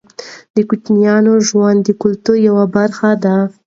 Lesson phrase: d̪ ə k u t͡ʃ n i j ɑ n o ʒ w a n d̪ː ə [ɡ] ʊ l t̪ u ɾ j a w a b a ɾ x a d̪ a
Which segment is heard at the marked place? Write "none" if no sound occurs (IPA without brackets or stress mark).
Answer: k